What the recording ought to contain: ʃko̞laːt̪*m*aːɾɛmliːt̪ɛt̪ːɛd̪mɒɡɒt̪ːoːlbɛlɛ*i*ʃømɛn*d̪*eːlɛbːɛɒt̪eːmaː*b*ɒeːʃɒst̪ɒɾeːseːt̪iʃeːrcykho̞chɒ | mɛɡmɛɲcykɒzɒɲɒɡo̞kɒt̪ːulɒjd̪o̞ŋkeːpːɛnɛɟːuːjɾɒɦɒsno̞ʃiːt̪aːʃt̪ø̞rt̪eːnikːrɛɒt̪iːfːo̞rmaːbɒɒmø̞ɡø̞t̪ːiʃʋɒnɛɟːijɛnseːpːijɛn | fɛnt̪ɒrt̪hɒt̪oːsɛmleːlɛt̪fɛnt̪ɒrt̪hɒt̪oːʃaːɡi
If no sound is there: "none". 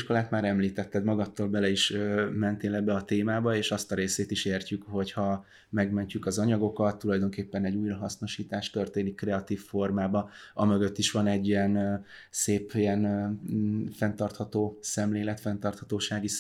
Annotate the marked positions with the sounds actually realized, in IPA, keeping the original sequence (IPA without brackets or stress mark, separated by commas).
m, i, t̪, b